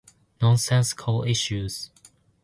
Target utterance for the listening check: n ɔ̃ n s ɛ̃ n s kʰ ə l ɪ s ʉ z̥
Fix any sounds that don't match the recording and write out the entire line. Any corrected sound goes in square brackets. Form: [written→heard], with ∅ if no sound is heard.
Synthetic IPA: n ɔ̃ n s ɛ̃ n s kʰ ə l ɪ [s→ʃ] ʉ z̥